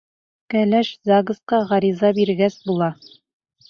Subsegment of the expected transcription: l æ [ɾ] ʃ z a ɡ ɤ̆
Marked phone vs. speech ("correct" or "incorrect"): incorrect